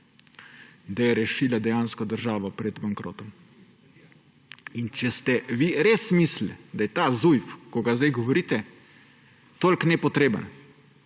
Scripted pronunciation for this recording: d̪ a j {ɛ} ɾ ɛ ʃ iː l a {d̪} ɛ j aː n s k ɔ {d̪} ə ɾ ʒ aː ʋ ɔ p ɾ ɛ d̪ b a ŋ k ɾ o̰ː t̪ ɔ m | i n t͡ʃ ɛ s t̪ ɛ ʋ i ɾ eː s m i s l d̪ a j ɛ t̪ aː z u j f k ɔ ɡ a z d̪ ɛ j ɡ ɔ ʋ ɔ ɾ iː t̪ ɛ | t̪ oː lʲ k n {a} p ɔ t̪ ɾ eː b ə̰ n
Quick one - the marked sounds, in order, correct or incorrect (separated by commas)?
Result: correct, correct, correct, incorrect